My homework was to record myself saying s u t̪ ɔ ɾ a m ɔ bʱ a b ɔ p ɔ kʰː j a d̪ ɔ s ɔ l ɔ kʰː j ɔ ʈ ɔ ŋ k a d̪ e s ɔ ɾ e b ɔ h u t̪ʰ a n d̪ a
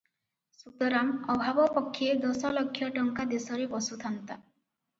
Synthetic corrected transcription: s u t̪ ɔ ɾ a m ɔ bʱ a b ɔ p ɔ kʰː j e d̪ ɔ s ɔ l ɔ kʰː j ɔ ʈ ɔ ŋ k a d̪ e s ɔ ɾ e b ɔ s u t̪ʰ a n t̪ a